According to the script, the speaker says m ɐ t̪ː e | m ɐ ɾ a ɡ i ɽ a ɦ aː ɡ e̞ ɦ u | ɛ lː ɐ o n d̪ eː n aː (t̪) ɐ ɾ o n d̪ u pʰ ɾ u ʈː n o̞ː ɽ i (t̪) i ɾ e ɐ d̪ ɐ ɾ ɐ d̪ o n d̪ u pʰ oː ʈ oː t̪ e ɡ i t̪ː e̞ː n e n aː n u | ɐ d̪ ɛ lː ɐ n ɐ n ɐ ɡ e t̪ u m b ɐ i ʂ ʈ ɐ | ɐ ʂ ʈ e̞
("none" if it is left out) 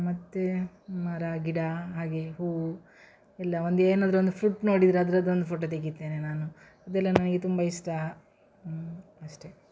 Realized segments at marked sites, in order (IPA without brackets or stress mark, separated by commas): d̪, d̪